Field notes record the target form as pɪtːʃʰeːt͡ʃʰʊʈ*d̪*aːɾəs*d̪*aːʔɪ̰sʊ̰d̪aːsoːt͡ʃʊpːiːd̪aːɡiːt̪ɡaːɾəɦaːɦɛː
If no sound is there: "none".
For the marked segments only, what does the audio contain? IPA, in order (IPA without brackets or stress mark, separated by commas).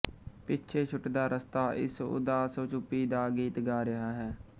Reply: d̪, t̪